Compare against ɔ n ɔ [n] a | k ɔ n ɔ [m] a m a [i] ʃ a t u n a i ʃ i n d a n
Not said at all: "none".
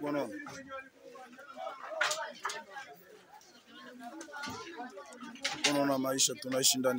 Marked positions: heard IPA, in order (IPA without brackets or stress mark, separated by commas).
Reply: n, n, i